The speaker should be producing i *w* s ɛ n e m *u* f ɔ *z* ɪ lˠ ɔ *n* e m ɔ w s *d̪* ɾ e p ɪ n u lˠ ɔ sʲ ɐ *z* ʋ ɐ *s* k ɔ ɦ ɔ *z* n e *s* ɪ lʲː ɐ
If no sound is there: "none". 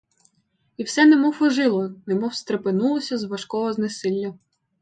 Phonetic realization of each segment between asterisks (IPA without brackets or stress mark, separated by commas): w, ɔ, ʒ, n, t̪, z, ʃ, z, s